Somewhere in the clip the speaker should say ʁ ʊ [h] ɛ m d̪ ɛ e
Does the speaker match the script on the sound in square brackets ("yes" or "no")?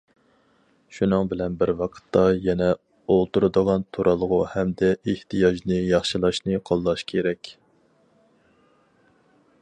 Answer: yes